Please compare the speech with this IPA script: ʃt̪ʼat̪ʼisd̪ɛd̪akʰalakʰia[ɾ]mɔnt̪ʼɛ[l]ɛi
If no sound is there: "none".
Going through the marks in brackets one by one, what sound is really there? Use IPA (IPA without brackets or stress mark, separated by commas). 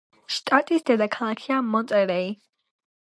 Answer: none, ɾ